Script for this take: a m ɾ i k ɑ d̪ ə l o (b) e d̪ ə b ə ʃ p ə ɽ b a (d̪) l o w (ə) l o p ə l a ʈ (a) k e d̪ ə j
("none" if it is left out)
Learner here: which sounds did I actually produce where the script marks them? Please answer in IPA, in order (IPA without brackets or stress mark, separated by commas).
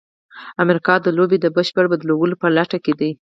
b, d̪, ə, a